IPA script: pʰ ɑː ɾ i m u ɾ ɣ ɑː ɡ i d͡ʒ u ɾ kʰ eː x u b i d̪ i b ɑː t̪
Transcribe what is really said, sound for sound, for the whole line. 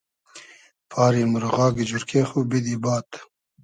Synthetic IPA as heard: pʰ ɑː ɾ i m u ɾ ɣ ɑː ɡ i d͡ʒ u ɾ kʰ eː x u b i d̪ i b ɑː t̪